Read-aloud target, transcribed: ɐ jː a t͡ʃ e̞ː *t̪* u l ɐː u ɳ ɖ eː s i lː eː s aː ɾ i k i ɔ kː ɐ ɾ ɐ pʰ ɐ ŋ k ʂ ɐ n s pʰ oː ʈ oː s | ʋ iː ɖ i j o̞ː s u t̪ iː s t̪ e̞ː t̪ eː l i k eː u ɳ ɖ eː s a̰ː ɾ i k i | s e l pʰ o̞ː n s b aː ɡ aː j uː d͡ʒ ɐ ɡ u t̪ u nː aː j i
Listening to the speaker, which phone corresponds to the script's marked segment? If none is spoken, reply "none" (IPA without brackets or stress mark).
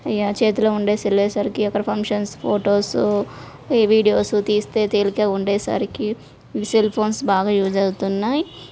t̪